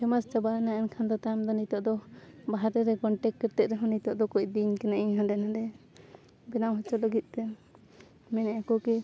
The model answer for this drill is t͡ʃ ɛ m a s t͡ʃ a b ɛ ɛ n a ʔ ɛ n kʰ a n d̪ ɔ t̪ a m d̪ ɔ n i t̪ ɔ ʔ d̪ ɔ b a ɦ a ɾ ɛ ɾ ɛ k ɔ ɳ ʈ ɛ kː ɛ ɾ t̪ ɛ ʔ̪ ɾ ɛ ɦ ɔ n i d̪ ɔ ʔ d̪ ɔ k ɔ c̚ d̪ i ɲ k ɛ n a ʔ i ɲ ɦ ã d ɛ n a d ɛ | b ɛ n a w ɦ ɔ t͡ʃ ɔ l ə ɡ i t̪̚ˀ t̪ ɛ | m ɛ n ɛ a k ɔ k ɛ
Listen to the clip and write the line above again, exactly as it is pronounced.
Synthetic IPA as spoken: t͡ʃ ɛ m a s t͡ʃ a b a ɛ n a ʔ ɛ n kʰ a n d̪ ɔ t̪ a m d̪ ɔ n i t̪ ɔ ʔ d̪ ɔ b a ɦ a ɾ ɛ ɾ ɛ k ɔ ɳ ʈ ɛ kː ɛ ɾ t̪ ɛ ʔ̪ ɾ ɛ ɦ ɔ n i t̪ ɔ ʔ d̪ ɔ k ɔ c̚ d̪ i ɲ k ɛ n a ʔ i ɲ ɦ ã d ɛ n a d ɛ | b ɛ n a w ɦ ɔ t͡ʃ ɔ l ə ɡ i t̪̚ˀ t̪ ɛ | m ɛ n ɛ a k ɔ k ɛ